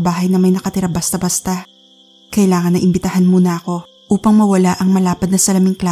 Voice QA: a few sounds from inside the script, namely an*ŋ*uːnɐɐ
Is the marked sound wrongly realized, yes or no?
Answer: yes